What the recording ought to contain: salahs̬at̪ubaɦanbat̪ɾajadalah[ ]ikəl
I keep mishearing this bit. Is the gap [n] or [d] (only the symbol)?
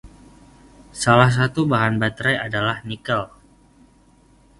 n